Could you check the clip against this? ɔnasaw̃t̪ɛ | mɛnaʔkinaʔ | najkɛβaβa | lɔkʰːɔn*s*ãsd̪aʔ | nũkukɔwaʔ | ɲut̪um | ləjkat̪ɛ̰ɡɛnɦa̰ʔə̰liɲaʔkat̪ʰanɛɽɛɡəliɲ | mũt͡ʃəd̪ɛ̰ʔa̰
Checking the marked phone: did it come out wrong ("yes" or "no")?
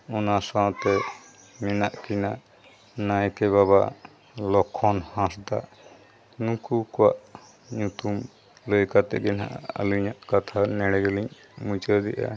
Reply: yes